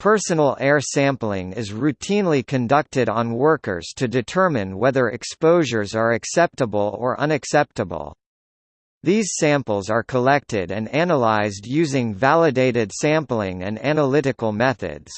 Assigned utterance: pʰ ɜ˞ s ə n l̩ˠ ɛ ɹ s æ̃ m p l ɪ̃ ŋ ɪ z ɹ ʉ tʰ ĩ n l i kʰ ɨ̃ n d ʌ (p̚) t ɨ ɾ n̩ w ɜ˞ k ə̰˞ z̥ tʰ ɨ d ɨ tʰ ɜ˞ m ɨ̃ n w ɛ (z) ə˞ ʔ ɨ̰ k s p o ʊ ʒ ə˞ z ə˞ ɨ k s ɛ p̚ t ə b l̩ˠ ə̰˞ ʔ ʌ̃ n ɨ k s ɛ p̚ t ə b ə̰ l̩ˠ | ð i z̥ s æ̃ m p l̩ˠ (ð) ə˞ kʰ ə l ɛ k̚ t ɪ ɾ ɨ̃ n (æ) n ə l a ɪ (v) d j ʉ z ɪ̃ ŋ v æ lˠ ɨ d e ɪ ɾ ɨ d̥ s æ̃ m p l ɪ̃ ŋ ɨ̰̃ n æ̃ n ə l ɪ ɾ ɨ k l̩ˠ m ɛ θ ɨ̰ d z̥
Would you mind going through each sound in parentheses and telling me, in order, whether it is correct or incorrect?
incorrect: k̚, incorrect: ð, incorrect: z, correct, incorrect: z

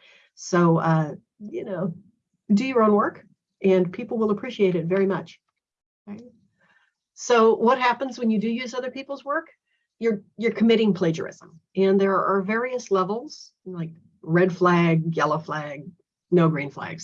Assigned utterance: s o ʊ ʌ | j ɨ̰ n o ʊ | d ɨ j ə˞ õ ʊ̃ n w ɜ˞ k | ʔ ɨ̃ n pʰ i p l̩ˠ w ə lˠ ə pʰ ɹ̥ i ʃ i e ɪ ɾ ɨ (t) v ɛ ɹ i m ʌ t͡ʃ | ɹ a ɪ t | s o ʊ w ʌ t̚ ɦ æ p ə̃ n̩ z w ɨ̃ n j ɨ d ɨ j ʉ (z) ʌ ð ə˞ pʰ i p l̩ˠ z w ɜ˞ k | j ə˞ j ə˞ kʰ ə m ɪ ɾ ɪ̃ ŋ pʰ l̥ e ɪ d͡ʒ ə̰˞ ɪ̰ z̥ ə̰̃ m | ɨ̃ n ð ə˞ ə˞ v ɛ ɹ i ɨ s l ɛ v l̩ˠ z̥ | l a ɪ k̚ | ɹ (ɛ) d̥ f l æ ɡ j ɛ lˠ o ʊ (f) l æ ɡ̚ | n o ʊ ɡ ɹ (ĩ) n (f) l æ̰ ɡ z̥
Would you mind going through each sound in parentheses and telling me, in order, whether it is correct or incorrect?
correct, correct, correct, correct, correct, correct

